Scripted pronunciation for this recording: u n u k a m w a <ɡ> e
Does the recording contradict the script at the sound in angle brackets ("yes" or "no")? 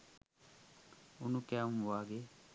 no